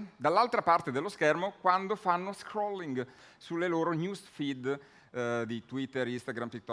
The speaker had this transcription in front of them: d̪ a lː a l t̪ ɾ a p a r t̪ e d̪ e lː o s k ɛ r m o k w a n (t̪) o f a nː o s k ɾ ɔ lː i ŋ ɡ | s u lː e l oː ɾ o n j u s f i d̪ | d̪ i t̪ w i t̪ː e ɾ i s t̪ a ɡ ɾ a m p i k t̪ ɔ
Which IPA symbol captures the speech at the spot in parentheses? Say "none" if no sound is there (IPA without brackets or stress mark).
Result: d̪